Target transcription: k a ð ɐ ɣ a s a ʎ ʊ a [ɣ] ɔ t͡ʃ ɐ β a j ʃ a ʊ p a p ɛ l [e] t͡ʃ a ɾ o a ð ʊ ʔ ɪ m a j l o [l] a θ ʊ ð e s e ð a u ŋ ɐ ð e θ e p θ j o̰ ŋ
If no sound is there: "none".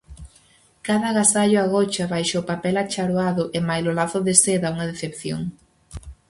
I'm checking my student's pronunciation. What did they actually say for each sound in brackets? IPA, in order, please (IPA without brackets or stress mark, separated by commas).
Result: ɣ, a, l